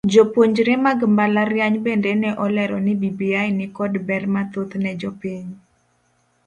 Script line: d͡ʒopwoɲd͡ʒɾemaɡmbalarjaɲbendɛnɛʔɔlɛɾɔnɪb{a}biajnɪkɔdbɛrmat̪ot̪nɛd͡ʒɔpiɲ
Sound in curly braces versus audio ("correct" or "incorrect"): incorrect